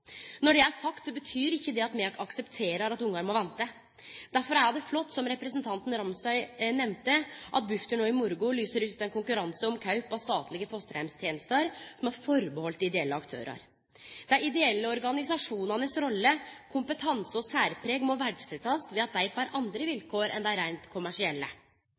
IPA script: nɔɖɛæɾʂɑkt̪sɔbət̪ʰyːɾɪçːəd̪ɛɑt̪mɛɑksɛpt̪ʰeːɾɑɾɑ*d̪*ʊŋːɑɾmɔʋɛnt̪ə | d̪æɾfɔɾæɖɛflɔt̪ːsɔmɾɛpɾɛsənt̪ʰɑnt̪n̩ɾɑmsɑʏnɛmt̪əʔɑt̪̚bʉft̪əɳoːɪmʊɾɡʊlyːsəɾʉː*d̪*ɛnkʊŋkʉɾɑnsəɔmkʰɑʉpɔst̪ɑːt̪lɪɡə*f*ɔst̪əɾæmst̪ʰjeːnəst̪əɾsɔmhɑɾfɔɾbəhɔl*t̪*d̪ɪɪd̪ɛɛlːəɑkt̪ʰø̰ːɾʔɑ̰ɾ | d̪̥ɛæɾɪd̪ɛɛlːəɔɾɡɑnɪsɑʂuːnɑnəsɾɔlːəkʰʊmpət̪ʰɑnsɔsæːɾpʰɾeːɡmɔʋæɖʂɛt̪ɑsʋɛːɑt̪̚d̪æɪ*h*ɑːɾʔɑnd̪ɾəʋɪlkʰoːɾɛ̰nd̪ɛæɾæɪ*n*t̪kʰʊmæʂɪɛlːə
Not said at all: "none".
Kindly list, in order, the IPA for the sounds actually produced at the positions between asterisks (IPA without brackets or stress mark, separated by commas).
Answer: t̪, t̪, f, t̪, f, n